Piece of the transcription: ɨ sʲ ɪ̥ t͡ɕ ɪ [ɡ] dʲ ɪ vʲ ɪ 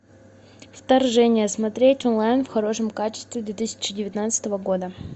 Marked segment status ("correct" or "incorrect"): incorrect